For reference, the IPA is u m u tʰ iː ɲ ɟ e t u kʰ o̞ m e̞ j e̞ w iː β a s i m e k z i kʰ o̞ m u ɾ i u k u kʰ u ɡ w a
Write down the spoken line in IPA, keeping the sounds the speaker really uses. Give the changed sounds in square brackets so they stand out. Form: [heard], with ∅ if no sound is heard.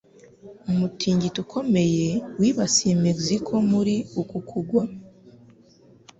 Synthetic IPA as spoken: u m u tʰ iː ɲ ɟ [i] t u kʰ o̞ m e̞ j e̞ w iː β a s i m e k z i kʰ o̞ m u ɾ i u k u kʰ u ɡ w a